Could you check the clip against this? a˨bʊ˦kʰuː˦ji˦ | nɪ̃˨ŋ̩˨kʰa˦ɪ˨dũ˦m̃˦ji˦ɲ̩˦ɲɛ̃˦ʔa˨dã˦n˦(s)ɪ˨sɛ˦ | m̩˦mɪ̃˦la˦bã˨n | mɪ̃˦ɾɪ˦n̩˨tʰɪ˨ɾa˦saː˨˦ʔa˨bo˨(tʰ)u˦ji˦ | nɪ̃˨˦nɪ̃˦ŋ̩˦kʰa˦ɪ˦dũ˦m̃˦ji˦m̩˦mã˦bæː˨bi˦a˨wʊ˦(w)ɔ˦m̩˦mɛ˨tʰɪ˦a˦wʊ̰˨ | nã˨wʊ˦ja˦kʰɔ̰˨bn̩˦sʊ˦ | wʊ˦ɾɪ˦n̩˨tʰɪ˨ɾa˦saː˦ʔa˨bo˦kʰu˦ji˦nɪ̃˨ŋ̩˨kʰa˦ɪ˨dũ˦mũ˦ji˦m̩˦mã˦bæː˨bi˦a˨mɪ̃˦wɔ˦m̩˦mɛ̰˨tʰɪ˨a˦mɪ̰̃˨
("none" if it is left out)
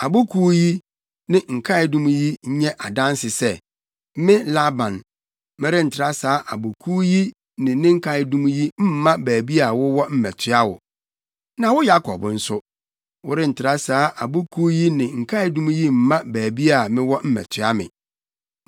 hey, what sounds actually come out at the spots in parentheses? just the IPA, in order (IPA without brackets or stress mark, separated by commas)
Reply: s, kʰ, w